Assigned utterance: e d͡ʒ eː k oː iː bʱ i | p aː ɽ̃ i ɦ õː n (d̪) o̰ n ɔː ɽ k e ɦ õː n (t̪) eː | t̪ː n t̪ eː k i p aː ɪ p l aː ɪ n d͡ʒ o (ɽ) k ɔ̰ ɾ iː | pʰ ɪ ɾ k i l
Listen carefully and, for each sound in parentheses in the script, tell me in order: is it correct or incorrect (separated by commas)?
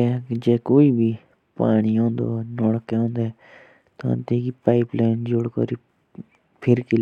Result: correct, incorrect, correct